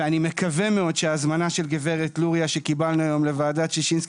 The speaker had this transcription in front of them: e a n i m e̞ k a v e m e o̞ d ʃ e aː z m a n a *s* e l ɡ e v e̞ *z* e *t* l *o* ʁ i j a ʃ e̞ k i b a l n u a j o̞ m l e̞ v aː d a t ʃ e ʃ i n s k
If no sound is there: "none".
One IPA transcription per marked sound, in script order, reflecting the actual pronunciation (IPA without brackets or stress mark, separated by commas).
ʃ, ʁ, t, u